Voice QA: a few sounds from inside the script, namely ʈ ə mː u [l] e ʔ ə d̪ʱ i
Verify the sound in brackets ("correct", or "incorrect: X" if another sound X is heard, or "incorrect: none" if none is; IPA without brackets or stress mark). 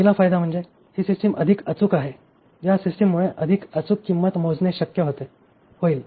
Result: incorrect: ɭ